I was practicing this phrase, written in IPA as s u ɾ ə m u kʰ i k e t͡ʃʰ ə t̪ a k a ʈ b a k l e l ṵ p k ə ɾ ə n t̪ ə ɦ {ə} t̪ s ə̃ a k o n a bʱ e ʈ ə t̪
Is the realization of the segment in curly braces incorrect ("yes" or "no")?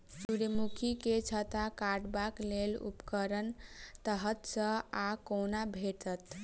no